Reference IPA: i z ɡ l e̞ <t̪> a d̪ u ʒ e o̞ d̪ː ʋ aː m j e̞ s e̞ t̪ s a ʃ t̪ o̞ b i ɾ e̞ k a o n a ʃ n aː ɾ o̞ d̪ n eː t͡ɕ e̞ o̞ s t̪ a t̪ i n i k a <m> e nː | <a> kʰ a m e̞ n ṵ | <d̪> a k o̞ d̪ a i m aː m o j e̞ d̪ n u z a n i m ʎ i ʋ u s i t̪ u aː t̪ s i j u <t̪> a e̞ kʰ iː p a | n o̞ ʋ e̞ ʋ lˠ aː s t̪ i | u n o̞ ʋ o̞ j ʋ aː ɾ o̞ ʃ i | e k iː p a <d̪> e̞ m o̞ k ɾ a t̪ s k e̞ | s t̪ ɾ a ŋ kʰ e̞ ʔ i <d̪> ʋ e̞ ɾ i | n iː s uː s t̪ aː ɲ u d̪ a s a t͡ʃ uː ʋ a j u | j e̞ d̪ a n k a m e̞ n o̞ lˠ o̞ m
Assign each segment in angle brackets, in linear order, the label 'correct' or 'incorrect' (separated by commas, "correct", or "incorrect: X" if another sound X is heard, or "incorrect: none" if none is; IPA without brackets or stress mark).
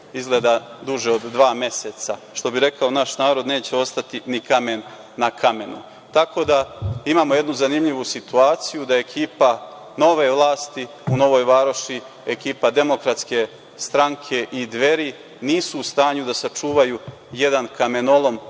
incorrect: d̪, correct, correct, incorrect: t̪, incorrect: d̪, correct, correct